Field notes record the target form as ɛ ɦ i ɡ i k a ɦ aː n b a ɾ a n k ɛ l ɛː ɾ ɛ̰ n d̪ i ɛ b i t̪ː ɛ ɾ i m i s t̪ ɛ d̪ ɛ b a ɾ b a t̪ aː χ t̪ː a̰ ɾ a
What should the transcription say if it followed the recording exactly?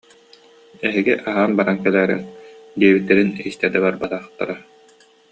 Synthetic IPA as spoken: ɛ ɦ i ɡ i ʔ a ɦ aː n b a ɾ a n k ɛ l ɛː ɾ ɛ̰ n d̪ i ɛ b i t̪ː ɛ ɾ i n i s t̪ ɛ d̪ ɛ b a ɾ b a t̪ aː χ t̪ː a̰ ɾ a